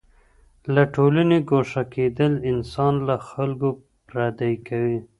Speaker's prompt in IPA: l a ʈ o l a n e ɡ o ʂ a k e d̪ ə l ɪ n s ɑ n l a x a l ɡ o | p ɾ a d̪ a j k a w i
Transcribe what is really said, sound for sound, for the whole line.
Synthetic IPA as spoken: l a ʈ o l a n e ɡ o ʂ a k e d̪ ə l ɪ n s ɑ n l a x a l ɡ o | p ɾ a d̪ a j k a w i